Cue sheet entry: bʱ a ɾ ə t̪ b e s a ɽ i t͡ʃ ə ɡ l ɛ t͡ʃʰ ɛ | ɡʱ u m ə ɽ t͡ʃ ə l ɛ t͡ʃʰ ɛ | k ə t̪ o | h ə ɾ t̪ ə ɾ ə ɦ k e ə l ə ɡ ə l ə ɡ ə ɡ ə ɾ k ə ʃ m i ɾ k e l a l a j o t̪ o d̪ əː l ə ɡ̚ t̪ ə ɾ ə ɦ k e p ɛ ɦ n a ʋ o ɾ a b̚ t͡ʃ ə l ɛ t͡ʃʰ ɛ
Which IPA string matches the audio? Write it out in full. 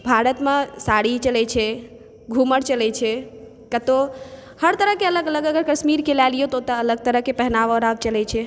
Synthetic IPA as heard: bʱ a ɾ ə t̪ m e s a ɽ i t͡ʃ ə l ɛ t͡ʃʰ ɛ | ɡʱ u m ə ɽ t͡ʃ ə l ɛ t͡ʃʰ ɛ | k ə t̪ o | h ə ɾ t̪ ə ɾ ə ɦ k e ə l ə ɡ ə l ə ɡ ə ɡ ə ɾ k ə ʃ m i ɾ k e l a l i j o t̪ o t̪ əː l ə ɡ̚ t̪ ə ɾ ə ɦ k e p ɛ ɦ n a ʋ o ɾ a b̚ t͡ʃ ə l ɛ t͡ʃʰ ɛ